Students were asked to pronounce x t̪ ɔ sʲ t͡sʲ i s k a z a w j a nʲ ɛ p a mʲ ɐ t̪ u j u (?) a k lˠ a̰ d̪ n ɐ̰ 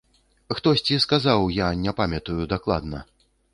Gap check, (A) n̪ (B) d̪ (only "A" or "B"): B